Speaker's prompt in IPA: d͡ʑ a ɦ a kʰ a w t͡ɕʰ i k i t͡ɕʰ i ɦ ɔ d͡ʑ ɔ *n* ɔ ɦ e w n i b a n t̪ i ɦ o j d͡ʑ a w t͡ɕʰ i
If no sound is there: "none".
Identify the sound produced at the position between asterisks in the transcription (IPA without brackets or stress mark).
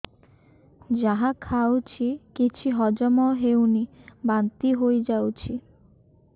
m